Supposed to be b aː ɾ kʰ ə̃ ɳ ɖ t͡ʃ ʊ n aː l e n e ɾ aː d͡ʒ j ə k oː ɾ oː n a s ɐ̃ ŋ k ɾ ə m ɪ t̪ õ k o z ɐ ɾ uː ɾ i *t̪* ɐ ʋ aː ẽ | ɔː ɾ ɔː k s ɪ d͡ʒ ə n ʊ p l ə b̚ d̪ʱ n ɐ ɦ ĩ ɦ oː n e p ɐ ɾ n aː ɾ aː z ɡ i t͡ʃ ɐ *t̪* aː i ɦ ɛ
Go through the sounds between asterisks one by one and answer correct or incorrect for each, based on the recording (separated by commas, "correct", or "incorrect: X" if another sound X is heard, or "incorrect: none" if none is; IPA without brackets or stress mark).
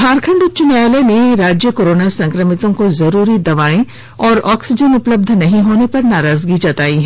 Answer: incorrect: d̪, correct